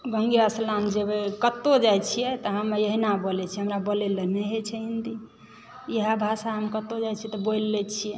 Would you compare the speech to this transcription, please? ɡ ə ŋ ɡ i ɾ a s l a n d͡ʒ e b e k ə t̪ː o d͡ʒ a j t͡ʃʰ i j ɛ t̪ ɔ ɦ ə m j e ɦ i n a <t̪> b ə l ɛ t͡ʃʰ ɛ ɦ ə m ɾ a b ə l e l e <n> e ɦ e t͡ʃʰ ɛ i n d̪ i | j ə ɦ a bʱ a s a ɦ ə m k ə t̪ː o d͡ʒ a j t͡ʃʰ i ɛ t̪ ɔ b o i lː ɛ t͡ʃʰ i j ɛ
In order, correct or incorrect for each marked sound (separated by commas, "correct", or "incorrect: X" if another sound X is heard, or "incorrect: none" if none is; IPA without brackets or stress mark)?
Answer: incorrect: none, correct